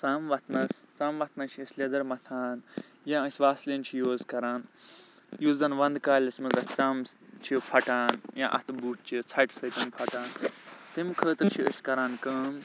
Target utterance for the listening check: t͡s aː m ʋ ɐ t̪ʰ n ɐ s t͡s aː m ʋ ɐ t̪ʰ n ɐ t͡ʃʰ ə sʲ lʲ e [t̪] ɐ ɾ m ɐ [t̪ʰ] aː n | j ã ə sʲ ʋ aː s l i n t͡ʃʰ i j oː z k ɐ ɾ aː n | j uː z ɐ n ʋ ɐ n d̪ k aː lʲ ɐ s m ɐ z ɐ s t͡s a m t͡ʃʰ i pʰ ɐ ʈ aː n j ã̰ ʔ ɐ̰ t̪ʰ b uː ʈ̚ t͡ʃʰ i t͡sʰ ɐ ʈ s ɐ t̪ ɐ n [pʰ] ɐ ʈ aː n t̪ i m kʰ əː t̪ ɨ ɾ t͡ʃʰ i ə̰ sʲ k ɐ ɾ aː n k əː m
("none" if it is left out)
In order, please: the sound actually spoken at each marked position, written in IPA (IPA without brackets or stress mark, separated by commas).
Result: d̪, t̪ʰ, pʰ